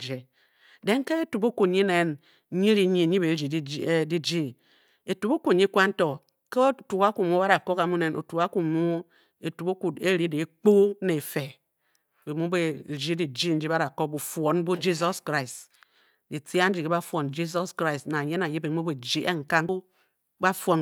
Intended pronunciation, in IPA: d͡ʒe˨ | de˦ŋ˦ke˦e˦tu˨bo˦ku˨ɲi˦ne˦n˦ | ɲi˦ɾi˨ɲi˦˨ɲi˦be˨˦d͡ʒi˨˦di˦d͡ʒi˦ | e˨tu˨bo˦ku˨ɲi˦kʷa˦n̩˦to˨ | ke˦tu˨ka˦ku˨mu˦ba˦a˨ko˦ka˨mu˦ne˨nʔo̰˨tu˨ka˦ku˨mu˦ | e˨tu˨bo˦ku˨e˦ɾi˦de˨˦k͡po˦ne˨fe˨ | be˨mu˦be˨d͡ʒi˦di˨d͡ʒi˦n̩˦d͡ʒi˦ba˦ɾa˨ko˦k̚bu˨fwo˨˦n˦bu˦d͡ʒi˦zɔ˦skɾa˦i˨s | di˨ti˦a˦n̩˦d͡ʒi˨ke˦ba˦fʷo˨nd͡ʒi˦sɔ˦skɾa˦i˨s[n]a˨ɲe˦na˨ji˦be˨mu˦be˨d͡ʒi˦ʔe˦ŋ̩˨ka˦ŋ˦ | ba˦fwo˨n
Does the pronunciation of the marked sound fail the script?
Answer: no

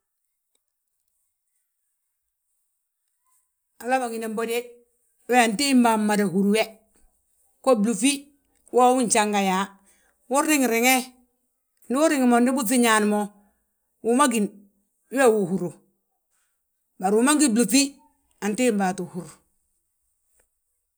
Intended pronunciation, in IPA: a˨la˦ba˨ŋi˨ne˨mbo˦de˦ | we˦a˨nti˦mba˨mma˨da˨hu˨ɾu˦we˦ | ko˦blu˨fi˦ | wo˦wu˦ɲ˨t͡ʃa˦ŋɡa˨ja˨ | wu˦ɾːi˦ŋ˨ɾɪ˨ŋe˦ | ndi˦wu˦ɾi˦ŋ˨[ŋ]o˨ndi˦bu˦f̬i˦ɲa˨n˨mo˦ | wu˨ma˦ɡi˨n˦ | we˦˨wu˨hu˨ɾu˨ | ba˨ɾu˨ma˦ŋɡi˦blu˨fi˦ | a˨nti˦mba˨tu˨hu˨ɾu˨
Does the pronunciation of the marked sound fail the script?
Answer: yes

